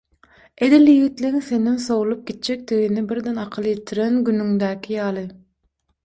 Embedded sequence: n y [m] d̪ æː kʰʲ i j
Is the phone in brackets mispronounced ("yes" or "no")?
yes